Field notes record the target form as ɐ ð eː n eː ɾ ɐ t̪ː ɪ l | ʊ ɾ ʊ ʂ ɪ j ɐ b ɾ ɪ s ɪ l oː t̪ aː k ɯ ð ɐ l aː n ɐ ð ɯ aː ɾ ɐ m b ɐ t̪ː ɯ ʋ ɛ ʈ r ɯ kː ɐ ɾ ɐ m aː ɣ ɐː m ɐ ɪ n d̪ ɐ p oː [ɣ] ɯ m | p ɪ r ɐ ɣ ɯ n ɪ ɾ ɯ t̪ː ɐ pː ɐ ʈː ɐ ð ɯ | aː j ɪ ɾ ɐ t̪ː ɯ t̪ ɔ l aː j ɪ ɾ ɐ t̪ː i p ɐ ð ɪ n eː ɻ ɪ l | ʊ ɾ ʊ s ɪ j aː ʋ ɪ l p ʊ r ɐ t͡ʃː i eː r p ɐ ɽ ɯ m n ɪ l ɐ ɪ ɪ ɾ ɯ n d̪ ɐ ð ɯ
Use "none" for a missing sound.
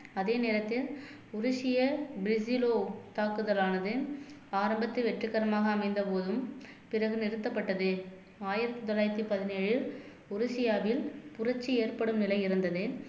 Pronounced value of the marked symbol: ð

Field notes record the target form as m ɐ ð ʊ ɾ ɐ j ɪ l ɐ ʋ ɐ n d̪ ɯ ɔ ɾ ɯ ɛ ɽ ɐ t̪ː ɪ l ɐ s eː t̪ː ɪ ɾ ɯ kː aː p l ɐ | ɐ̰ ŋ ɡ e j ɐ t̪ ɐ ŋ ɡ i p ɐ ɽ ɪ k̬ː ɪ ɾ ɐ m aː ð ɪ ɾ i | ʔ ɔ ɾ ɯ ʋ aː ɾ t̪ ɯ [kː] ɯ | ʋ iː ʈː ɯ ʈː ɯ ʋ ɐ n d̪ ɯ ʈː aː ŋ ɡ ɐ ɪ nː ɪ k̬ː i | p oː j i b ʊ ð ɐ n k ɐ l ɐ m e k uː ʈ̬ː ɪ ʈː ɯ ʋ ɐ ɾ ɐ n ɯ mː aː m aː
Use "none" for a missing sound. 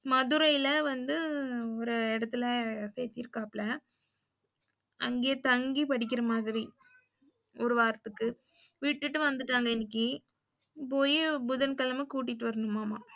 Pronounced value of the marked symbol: kː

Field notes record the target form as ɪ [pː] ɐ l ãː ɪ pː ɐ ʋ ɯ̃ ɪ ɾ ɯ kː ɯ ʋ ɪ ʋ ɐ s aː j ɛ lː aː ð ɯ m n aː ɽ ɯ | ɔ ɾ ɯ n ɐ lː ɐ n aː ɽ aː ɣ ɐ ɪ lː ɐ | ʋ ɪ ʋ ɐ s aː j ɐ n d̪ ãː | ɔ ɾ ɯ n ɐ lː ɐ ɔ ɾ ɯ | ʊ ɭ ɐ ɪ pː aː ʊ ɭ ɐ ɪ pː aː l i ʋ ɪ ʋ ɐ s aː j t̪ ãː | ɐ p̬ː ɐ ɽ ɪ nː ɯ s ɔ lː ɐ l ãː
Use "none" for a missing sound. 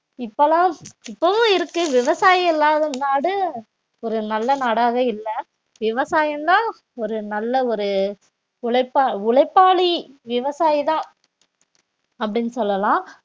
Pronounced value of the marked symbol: pː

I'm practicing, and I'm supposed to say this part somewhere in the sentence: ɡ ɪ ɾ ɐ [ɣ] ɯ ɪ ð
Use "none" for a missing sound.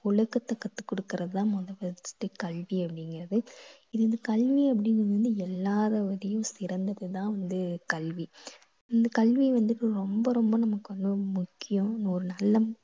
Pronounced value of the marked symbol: ð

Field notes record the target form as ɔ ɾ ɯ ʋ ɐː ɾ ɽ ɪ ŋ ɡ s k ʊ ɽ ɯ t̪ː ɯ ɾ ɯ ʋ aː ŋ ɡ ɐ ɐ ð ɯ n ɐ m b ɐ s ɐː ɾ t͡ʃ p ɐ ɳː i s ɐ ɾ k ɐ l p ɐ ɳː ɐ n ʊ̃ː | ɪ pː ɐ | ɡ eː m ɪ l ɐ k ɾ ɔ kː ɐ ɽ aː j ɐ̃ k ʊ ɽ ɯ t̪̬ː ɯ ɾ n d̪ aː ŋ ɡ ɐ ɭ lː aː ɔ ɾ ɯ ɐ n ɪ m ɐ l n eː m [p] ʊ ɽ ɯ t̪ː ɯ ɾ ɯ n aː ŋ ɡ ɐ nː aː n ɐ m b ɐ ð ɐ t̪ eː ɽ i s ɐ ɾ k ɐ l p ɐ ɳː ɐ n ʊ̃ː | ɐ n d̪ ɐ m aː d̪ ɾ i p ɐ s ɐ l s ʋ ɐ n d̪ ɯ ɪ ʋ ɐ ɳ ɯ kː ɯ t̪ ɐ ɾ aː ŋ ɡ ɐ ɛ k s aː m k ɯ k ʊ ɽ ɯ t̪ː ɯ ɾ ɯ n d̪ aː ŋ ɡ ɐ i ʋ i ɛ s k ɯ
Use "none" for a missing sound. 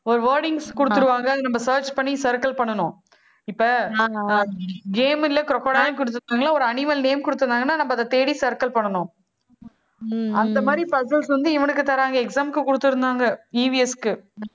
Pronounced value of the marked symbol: k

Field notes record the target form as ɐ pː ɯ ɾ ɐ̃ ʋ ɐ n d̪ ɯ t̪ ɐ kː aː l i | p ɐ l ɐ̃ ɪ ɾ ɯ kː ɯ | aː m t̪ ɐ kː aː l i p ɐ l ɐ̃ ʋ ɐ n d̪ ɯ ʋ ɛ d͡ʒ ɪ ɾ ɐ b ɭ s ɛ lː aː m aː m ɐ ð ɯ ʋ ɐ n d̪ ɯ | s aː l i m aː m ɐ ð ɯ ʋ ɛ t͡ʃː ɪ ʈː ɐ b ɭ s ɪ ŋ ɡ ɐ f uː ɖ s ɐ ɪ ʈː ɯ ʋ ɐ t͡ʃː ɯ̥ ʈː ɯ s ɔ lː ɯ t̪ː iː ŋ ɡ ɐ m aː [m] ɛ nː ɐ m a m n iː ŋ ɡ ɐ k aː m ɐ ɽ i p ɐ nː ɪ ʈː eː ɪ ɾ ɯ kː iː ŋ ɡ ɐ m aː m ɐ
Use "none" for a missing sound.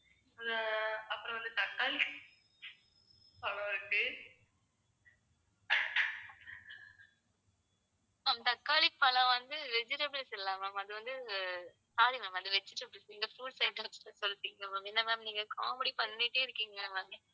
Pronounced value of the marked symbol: m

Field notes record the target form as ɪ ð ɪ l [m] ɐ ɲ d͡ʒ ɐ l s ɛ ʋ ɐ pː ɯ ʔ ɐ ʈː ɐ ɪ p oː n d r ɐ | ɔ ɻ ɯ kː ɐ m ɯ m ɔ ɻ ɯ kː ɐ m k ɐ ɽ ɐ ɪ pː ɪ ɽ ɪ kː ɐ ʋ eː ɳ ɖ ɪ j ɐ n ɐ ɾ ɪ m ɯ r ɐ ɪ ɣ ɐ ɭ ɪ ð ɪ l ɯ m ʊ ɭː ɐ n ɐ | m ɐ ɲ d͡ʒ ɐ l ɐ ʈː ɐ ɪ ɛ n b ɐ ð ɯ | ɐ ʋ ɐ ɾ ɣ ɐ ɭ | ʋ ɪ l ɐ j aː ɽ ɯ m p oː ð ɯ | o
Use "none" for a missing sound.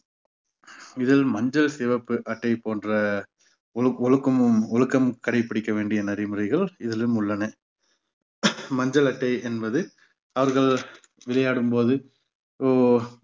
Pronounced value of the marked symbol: m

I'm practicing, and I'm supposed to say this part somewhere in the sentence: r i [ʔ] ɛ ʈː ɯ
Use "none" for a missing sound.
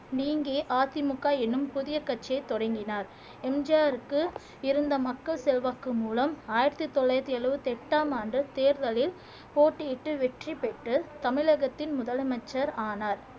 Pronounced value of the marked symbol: p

